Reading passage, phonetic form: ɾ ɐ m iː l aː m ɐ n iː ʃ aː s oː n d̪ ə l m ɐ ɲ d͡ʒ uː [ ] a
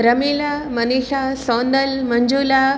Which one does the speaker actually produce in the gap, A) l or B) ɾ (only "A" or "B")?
A